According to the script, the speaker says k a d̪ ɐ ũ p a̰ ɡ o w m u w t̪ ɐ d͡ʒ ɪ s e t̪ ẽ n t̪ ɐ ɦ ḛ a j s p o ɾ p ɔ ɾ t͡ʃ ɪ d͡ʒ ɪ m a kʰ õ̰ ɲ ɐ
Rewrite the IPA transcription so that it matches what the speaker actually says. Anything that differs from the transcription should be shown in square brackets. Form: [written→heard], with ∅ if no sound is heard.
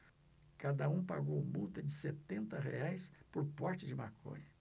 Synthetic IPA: k a d̪ ɐ ũ p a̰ ɡ o w m u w t̪ ɐ d͡ʒ ɪ s e t̪ ẽ n t̪ ɐ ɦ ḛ a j s p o ɾ p ɔ ɾ t͡ʃ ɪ d͡ʒ ɪ m a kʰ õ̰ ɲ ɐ